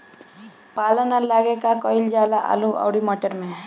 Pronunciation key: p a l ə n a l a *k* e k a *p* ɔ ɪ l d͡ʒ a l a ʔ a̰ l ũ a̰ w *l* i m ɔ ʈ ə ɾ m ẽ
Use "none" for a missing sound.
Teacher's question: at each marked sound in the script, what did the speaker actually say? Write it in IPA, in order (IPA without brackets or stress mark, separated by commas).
ɡ, k, ɽ